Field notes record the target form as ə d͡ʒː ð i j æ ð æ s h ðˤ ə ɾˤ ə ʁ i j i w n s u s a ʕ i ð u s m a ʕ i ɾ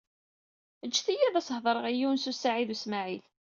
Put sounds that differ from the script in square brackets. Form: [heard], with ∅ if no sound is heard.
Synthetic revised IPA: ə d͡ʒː [θ] i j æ ð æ s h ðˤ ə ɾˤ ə ʁ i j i w n s u s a ʕ i ð u s m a ʕ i [l]